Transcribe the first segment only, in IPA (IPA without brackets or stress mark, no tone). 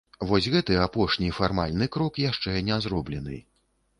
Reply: v